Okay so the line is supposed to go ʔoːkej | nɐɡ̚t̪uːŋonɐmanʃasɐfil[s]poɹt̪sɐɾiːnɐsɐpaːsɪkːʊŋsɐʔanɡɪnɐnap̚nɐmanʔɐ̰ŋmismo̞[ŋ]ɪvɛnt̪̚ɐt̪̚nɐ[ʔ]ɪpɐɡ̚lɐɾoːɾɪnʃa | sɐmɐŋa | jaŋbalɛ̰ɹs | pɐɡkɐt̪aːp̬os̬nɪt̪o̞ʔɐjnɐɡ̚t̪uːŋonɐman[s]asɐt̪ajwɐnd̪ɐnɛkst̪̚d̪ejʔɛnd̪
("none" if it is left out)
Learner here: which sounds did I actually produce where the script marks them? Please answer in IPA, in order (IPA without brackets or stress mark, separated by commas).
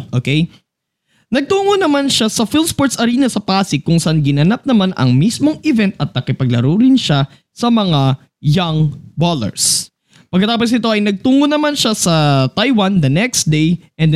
s, ŋ, k, ʃ